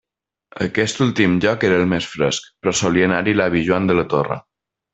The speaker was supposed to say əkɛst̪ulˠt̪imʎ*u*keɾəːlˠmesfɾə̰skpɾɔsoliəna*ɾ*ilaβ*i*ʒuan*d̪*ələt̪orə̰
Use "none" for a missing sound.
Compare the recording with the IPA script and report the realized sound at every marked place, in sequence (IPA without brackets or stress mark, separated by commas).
ɔ, ɾ, i, d̪